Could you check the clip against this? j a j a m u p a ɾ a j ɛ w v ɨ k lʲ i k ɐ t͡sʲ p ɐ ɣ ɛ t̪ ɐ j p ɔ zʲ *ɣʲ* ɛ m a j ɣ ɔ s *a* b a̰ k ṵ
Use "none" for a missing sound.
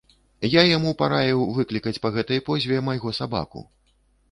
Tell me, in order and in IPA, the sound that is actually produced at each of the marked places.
vʲ, a

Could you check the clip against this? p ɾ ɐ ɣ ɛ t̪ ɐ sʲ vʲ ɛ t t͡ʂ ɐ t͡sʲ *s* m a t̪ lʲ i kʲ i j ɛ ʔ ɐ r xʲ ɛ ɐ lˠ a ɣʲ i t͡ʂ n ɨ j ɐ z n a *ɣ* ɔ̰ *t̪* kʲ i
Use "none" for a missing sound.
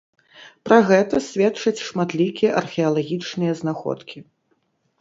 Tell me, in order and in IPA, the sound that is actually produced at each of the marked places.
ʂ, x, t̪

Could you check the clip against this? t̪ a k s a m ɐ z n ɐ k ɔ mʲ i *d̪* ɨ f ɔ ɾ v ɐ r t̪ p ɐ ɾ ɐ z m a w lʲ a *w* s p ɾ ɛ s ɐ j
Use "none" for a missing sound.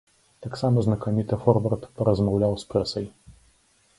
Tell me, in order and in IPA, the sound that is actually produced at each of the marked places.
t̪, w

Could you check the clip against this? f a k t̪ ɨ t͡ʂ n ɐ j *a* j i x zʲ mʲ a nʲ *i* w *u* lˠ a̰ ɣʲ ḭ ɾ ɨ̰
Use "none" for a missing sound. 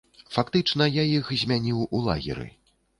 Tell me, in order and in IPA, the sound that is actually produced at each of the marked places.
a, i, u

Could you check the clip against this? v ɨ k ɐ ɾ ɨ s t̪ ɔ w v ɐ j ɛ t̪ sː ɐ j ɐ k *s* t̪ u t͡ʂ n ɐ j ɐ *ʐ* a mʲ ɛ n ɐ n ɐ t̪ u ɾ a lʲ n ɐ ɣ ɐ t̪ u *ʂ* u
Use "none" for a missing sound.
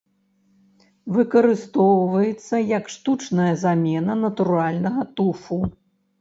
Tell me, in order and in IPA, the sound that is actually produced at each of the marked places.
ʂ, z, f

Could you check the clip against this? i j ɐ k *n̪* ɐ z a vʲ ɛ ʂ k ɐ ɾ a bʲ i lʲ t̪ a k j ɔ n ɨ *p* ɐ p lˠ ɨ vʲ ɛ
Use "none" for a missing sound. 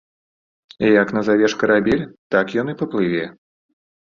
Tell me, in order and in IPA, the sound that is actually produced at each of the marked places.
n̪, p

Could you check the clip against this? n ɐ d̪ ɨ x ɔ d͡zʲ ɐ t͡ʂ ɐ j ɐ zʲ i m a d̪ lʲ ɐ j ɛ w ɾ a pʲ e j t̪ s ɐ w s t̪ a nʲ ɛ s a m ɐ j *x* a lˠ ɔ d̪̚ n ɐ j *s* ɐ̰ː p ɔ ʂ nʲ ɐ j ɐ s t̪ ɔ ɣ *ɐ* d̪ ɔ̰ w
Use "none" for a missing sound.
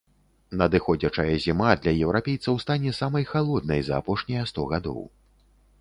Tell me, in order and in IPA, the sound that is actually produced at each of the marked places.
x, z, a

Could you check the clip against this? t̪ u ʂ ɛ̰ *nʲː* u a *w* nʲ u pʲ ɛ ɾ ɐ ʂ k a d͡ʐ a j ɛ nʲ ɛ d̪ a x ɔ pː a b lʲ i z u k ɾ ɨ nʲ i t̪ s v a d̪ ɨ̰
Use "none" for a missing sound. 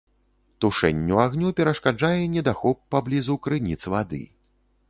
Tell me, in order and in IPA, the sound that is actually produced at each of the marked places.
nʲː, ɣ

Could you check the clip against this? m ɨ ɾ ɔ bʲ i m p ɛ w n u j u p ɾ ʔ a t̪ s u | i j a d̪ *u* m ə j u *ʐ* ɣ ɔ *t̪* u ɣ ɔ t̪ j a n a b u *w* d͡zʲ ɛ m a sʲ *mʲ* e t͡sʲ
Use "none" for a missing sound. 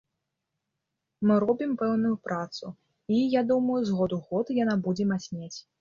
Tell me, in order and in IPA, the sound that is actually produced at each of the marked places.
u, z, d̪, none, nʲ

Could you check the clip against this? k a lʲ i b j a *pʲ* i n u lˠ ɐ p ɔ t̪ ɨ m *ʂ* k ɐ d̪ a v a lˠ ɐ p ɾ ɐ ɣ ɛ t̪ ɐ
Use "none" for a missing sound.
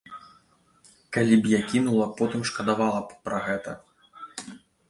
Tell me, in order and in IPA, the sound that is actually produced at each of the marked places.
kʲ, ʂ

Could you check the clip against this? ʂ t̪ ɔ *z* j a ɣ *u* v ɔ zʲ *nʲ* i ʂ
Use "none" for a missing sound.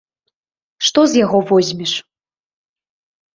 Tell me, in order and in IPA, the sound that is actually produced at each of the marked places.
z, ɔ, mʲ

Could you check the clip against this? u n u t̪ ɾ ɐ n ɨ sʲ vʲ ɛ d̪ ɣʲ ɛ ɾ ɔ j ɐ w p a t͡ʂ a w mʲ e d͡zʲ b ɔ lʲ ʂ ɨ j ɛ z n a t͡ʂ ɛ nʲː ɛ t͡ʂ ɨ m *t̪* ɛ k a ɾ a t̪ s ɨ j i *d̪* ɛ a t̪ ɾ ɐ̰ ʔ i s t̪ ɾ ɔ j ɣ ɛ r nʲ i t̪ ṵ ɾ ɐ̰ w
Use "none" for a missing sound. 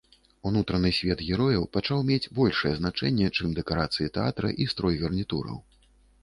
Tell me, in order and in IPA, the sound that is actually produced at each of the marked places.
d̪, t̪

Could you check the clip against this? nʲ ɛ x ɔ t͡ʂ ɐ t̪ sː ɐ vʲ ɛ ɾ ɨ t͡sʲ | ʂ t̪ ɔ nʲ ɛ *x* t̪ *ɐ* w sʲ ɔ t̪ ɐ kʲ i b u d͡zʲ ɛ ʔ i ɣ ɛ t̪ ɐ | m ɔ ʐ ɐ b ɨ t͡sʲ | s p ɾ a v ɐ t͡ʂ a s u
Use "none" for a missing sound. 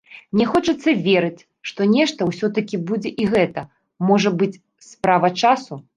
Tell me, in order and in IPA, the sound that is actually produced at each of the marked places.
ʂ, ɐ

